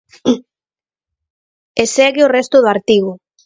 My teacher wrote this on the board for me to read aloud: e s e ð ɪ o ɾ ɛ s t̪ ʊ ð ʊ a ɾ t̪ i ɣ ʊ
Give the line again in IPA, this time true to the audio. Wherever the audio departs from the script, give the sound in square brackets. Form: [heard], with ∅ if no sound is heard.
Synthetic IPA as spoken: e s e [ɣ] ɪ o [r] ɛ s t̪ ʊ ð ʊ a ɾ t̪ i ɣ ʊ